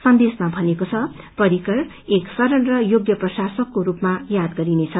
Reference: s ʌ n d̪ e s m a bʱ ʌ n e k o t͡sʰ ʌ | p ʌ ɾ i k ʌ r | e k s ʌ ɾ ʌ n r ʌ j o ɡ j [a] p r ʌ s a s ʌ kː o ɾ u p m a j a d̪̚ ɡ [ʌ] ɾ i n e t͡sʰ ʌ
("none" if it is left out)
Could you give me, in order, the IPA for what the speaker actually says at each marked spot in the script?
ʌ, ʌ

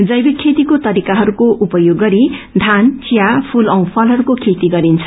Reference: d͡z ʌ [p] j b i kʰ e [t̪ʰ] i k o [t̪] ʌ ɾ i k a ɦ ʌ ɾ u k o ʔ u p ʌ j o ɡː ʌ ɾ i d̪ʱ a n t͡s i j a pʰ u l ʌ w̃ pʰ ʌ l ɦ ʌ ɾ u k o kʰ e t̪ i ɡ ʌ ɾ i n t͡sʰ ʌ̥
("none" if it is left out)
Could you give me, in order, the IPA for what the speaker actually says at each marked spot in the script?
none, t̪, t̪

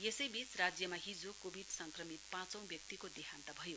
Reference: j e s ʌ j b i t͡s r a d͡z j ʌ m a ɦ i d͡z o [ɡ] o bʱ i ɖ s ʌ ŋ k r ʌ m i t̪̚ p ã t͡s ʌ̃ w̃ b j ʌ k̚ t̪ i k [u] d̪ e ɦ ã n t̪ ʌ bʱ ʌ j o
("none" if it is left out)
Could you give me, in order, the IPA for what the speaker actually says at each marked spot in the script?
k, o

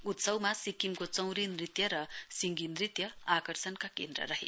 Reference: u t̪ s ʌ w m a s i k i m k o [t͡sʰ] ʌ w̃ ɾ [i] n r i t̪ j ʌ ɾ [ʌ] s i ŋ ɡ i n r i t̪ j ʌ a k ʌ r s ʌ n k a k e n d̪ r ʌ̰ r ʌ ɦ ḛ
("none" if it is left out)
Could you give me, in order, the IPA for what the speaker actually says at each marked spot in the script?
t͡s, i, ʌ

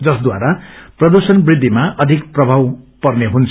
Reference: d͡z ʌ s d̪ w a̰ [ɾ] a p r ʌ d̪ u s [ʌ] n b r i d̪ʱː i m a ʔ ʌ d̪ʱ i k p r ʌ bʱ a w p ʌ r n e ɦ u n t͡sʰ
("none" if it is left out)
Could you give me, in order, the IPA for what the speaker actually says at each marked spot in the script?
ɾ, ʌ

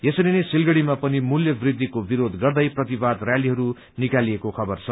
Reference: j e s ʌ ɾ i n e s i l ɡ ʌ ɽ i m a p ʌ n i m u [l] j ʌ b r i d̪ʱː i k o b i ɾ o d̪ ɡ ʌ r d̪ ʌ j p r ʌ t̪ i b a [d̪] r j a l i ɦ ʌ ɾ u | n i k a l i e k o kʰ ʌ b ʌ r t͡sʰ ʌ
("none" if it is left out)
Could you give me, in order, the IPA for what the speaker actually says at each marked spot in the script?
l, d̪

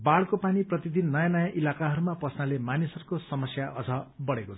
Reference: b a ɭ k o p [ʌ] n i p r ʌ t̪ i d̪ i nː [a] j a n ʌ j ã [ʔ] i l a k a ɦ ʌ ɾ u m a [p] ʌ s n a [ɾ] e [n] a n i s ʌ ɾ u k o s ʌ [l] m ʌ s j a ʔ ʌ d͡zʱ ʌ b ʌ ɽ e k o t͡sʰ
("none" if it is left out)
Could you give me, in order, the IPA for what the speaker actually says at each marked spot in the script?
a, ʌ, ʔ, p, l, m, none

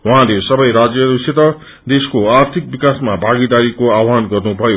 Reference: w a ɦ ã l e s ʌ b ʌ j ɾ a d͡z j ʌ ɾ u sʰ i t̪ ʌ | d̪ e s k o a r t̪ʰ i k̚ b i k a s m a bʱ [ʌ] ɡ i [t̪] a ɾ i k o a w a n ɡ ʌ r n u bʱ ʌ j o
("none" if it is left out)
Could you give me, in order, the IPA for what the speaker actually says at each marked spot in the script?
a, d̪

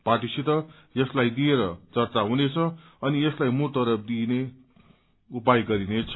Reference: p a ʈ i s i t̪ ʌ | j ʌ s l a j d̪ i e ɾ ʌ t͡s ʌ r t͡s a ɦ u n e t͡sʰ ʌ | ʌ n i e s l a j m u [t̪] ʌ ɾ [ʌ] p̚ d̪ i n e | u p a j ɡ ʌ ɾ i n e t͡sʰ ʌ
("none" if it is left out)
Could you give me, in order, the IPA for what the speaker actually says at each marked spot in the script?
t̪, ʌ

